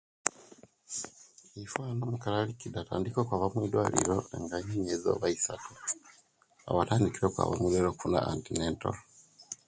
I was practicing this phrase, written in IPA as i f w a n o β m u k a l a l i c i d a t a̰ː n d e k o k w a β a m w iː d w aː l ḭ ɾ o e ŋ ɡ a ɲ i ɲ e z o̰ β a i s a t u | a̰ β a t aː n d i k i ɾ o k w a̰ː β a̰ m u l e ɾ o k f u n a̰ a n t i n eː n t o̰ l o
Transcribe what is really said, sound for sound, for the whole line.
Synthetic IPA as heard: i f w a n o m u k a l a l i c i d a t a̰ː n d i k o k w a β a m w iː d w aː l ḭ ɾ o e ŋ ɡ a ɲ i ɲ e z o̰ β a i s a t u | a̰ β a t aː n d i k i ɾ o k w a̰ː β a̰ m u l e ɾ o k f u n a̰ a n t i n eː n t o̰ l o